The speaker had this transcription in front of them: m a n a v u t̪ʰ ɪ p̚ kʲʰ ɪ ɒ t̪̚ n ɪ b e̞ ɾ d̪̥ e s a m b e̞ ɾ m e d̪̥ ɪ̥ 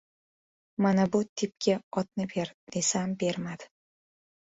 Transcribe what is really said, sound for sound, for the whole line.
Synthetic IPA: m a n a b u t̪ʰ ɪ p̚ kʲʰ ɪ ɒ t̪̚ n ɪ b e̞ ɾ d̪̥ e s a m b e̞ ɾ m a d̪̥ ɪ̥